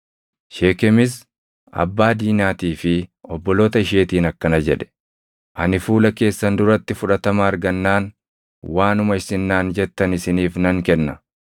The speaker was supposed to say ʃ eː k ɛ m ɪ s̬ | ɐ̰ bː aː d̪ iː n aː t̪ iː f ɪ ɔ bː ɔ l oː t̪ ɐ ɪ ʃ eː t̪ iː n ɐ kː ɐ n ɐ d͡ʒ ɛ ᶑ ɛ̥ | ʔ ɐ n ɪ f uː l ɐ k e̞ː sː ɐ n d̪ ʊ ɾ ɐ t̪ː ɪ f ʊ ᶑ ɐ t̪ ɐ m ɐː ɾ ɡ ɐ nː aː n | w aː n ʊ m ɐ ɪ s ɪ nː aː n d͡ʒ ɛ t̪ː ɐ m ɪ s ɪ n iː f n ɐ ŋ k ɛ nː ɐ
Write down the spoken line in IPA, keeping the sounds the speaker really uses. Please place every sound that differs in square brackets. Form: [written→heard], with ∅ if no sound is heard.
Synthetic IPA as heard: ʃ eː k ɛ m ɪ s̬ | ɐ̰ bː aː d̪ iː n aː t̪ iː f ɪ ɔ bː ɔ l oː t̪ ɐ ɪ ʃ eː t̪ iː n ɐ kː ɐ n ɐ d͡ʒ ɛ ᶑ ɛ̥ | ʔ ɐ n ɪ f uː l ɐ k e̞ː sː ɐ n d̪ ʊ ɾ ɐ t̪ː ɪ f ʊ ᶑ ɐ t̪ ɐ m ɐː ɾ ɡ ɐ nː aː n | w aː n ʊ m ɐ ɪ s ɪ nː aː n d͡ʒ ɛ t̪ː ɐ [m→n] ɪ s ɪ n iː f n ɐ ŋ k ɛ nː ɐ